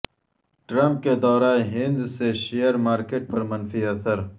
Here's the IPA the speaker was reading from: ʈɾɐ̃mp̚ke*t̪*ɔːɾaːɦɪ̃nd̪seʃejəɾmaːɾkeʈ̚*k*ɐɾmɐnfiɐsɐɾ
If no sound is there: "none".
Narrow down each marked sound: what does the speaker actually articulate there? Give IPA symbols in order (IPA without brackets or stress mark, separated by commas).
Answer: d̪, p